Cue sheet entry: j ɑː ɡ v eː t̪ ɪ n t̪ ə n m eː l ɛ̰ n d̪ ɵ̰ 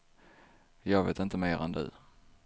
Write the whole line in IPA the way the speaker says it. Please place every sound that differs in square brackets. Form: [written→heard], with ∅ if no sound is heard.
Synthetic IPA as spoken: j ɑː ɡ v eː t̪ ɪ n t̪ ə [n→∅] m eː [l→ɾ] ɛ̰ n d̪ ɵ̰